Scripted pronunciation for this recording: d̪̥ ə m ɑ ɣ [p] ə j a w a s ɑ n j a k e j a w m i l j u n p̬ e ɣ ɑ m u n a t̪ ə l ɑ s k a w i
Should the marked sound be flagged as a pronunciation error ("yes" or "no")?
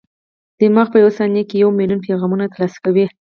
no